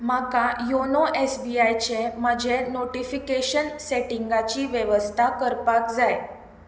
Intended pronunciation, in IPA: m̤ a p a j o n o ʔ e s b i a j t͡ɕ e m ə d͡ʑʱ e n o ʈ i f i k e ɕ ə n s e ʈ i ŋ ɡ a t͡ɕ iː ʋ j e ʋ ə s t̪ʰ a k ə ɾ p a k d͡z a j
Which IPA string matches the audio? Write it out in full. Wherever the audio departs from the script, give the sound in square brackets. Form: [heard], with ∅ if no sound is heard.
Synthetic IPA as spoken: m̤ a [k] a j o n o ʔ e s b i a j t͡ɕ e m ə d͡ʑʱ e n o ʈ i f i k e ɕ ə n s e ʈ i ŋ ɡ a t͡ɕ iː ʋ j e ʋ ə s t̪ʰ a k ə ɾ p a k d͡z a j